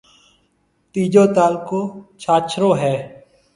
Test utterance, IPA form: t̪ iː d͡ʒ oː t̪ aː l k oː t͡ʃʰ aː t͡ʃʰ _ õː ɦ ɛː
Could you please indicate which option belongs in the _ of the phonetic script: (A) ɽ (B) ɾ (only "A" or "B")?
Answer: B